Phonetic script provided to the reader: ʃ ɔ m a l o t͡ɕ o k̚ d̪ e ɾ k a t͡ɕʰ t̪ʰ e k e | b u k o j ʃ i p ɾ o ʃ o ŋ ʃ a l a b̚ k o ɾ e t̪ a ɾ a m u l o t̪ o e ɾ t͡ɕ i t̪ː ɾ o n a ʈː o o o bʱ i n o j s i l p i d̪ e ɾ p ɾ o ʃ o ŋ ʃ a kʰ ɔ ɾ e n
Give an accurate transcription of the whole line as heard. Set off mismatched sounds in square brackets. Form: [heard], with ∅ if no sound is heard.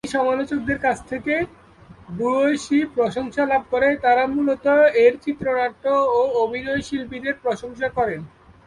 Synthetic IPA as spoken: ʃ ɔ m a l o t͡ɕ o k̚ d̪ e ɾ k a t͡ɕʰ t̪ʰ e k e | b u [∅] o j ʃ i p ɾ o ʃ o ŋ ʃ a l a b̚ k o ɾ e t̪ a ɾ a m u l o t̪ o e ɾ t͡ɕ i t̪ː ɾ o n a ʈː o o o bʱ i n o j [ʃ] i l p i d̪ e ɾ p ɾ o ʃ o ŋ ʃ a [k] ɔ ɾ e n